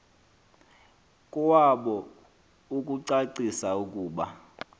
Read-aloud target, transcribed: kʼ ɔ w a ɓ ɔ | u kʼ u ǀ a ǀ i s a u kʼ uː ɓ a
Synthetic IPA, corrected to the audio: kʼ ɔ w a ɓ ɔ | u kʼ u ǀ a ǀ i s a u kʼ uː ɓ a